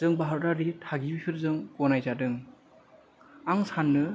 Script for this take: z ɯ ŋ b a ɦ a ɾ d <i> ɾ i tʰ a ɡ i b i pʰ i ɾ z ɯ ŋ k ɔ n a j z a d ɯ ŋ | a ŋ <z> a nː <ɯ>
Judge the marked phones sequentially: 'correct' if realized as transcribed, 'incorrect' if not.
incorrect: a, incorrect: s, correct

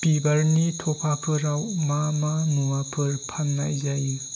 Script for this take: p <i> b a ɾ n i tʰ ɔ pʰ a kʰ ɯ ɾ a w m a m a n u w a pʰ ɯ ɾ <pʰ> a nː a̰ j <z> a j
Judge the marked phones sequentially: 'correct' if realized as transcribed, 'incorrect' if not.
correct, correct, correct

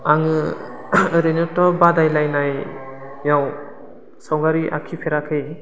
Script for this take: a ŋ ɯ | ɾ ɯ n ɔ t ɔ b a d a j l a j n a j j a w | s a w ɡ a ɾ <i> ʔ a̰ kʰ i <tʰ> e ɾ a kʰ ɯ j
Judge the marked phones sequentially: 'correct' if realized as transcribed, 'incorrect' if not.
correct, incorrect: pʰ

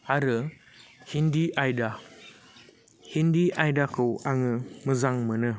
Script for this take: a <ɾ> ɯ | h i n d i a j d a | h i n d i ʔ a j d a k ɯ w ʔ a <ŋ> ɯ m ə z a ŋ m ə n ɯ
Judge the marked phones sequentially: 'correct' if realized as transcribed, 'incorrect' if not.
correct, correct

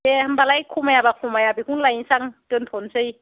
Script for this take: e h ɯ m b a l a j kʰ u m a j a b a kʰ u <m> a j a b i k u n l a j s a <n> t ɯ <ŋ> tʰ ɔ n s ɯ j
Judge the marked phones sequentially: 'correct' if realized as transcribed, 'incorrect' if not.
correct, incorrect: ŋ, incorrect: n

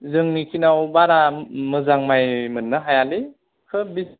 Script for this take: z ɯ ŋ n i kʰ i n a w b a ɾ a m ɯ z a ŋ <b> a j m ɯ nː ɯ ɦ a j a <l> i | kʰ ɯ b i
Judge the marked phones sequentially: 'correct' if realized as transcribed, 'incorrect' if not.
incorrect: m, correct

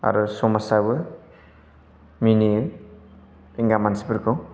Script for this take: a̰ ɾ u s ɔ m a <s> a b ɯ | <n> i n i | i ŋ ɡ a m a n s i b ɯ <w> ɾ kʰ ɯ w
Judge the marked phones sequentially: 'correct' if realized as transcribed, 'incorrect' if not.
correct, incorrect: m, incorrect: none

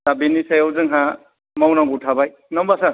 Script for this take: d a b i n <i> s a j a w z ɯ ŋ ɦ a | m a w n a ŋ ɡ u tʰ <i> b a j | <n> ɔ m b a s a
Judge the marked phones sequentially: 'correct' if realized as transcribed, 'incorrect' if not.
correct, incorrect: a, correct

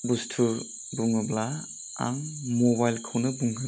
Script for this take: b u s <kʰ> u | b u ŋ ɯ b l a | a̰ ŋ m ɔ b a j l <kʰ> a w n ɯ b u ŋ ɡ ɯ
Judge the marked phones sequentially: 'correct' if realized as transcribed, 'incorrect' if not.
incorrect: tʰ, correct

